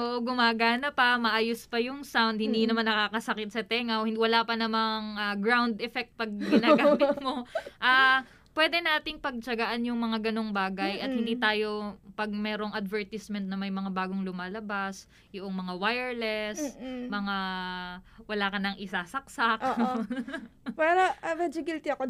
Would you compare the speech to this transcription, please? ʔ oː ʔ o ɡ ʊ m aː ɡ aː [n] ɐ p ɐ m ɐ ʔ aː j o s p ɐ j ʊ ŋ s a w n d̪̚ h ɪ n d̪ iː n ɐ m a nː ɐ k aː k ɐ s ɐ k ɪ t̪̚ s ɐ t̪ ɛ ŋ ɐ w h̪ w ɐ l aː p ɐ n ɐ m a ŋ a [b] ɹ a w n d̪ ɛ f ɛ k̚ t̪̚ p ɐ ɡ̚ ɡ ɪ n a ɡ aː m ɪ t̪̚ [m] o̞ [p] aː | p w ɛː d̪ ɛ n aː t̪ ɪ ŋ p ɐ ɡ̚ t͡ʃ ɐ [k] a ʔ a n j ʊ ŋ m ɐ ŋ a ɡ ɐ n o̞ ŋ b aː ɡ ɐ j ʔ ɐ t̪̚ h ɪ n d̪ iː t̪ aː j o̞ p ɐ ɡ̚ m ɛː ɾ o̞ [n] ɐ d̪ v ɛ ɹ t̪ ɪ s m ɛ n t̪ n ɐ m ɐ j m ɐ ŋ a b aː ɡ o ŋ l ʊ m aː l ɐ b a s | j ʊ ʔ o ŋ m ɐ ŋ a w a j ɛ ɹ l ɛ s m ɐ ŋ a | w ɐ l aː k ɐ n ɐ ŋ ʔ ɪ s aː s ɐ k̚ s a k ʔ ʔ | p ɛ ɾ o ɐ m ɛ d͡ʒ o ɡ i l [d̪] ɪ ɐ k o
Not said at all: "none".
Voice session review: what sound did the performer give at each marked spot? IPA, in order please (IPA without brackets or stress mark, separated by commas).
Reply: n, ɡ, m, ʔ, ɡ, ŋ, t̪